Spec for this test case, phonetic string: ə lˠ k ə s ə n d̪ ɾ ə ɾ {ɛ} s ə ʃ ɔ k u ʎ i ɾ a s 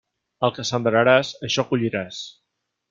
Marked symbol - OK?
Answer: no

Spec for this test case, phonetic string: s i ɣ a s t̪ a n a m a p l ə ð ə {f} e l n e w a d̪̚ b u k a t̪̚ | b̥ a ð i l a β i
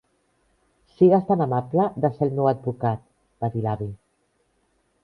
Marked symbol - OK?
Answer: no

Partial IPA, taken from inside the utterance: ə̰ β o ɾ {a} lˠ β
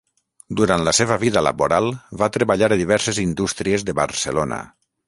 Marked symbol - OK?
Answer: yes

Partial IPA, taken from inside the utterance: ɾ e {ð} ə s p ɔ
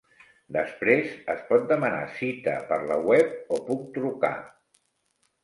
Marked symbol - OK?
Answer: no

